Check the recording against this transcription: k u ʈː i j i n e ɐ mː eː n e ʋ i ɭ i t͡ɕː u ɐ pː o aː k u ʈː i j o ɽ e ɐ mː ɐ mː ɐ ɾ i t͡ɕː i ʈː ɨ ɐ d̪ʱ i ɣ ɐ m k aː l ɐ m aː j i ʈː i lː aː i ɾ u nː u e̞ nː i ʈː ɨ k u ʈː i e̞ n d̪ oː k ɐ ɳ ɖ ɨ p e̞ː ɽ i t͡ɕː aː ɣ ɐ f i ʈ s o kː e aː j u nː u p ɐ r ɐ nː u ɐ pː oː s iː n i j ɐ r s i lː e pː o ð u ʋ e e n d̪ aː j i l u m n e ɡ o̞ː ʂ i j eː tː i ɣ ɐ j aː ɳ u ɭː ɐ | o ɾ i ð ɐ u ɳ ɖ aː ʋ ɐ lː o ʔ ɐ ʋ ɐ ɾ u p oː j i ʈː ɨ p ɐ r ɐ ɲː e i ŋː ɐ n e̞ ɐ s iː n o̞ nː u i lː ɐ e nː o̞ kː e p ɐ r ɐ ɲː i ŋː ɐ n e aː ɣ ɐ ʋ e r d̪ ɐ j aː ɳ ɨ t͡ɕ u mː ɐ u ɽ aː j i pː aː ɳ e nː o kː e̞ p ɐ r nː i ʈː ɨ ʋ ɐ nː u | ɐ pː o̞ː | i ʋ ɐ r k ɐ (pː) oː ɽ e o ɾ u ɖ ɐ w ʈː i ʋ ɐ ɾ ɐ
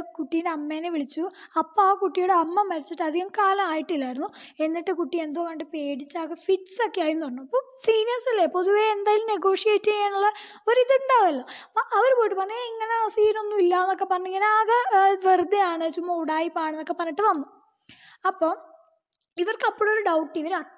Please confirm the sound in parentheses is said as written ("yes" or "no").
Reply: yes